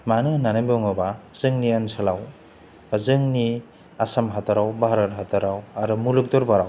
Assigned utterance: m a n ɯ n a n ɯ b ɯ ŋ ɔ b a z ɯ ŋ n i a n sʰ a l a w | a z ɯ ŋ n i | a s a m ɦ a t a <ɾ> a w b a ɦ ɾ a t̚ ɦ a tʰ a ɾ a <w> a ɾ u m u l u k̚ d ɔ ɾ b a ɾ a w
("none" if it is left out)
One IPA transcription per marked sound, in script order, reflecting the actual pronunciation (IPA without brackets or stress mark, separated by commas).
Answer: ɾ, w